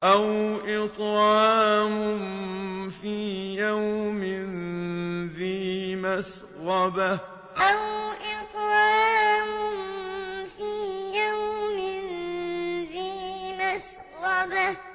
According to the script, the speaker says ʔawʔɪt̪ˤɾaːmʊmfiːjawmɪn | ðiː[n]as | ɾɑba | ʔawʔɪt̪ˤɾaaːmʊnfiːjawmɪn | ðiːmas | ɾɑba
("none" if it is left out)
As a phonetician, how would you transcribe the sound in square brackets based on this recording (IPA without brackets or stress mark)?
m